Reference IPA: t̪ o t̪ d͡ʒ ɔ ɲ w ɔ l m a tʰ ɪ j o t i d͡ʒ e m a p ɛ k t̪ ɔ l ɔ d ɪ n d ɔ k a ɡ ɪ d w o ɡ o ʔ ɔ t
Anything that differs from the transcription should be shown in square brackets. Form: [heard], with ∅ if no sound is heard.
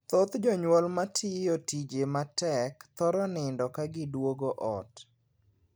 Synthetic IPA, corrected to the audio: t̪ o t̪ d͡ʒ ɔ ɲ w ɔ l m a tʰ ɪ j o t i d͡ʒ e m a [t] ɛ k t̪ ɔ [ɾ] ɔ [n] ɪ n d ɔ k a ɡ ɪ d w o ɡ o ʔ ɔ t